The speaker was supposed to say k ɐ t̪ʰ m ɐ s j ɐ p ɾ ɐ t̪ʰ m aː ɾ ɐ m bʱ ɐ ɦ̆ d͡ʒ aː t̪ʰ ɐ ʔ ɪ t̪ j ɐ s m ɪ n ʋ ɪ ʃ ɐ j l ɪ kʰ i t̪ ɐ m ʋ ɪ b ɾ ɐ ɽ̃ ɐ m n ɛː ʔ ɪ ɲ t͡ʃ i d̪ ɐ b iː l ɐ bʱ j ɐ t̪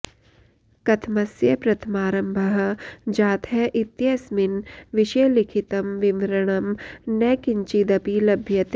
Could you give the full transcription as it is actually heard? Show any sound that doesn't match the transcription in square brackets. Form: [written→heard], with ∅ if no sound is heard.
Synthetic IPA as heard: k ɐ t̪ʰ m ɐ s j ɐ p ɾ ɐ t̪ʰ m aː ɾ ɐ m bʱ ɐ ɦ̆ d͡ʒ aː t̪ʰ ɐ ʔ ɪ t̪ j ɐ s m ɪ n ʋ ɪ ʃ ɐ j l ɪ kʰ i t̪ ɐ m ʋ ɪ [b→m] ɾ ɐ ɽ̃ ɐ m n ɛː [ʔ→k] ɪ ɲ t͡ʃ i d̪ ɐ [b→p] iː l ɐ bʱ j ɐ t̪